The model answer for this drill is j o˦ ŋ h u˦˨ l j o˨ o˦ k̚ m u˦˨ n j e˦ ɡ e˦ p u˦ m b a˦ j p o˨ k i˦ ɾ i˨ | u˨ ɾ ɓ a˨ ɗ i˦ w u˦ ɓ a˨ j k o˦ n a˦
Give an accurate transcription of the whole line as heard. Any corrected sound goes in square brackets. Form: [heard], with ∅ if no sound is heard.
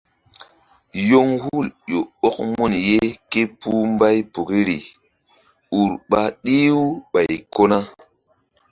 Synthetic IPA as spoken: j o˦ ŋ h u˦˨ l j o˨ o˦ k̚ m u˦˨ n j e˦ [k] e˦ p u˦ m b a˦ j p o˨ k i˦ ɾ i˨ | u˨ ɾ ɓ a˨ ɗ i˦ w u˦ ɓ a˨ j k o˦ n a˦